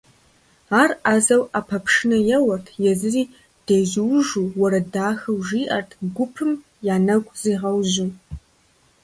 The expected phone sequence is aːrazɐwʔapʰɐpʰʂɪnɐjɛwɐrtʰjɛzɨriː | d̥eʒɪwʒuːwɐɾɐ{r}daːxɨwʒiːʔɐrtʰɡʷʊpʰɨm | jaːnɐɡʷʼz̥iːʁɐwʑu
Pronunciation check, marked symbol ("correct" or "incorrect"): incorrect